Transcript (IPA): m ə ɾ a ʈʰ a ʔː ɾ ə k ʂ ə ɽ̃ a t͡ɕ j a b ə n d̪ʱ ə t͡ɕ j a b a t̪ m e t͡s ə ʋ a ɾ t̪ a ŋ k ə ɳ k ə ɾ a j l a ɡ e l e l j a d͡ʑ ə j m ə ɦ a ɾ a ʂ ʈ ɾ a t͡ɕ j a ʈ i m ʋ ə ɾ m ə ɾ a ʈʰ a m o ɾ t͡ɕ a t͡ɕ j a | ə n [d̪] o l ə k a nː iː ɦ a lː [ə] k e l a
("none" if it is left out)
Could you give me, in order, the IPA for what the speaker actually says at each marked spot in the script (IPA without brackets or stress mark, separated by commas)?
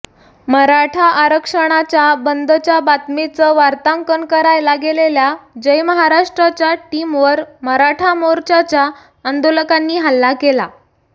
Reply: d̪, a